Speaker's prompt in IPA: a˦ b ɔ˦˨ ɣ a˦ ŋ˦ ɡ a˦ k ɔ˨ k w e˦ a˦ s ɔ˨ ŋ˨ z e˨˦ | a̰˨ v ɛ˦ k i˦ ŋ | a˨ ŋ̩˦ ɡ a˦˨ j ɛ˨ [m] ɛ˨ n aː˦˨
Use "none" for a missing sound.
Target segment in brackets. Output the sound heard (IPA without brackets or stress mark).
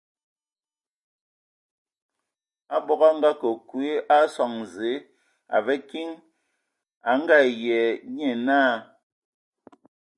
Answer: ɲ